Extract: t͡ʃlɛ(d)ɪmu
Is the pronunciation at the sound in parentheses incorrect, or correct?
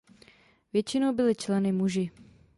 incorrect